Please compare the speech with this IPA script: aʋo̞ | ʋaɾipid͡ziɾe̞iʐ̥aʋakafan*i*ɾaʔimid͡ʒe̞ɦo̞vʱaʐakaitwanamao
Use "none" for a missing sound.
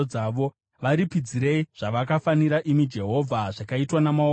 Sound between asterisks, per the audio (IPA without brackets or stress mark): i